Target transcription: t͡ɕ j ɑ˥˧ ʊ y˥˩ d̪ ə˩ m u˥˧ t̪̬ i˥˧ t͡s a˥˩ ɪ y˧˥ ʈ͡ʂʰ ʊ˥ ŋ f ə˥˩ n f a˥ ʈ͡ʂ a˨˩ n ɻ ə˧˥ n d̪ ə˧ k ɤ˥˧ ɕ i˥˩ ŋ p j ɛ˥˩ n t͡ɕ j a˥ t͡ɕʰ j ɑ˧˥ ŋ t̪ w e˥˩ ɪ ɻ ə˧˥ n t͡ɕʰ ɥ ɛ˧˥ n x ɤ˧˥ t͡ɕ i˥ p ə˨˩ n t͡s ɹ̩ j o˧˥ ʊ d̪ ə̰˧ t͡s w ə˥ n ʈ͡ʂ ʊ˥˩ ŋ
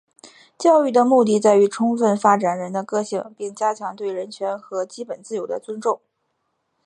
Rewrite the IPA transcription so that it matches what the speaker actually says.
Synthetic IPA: t͡ɕ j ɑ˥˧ ʊ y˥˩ d̪ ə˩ m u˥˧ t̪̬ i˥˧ t͡s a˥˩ ɪ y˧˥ ʈ͡ʂʰ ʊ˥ ŋ f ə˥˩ n f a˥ ʈ͡ʂ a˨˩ n ɻ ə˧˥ n d̪ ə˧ k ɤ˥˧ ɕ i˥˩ ŋ p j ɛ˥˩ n t͡ɕ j a˥ t͡ɕʰ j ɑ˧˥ ŋ t̪ w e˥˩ ɪ ɻ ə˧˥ n t͡ɕʰ ɥ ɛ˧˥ n x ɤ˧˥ t͡ɕ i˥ p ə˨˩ n t͡s ɹ̩ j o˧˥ ʊ d̪ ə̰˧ t͡s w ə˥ n ʈ͡ʂ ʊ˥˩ ŋ